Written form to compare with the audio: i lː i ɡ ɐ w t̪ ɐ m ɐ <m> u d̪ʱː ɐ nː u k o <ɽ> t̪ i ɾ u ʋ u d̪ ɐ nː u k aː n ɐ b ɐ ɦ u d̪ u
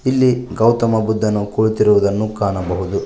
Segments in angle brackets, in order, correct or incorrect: incorrect, incorrect

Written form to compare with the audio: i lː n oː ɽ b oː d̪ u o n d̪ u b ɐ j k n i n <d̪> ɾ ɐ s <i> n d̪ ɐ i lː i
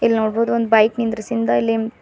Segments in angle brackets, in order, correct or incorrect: correct, correct

